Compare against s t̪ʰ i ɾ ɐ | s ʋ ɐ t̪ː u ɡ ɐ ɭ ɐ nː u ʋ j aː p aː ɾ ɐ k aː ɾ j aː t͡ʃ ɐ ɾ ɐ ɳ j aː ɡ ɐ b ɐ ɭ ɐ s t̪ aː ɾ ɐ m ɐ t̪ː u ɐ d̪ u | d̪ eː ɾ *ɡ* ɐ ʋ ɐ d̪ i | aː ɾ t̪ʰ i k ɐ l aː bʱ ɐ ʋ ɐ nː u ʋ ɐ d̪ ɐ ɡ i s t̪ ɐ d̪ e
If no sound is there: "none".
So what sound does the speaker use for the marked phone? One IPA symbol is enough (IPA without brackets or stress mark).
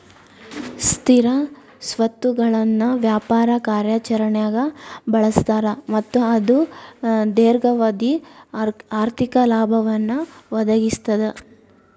ɡ